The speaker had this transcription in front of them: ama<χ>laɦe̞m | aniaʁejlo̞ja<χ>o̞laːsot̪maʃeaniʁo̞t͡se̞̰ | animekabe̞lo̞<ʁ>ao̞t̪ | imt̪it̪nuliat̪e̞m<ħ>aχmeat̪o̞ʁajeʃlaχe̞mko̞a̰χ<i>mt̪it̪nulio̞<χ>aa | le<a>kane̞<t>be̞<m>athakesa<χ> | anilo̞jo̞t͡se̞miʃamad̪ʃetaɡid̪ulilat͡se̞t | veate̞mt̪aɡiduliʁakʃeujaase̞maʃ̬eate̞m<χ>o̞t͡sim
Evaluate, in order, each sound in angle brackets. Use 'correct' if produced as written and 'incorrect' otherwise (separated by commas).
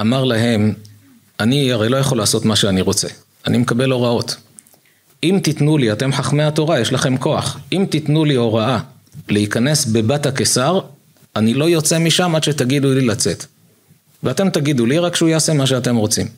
incorrect, correct, correct, correct, correct, incorrect, incorrect, incorrect, incorrect, incorrect, incorrect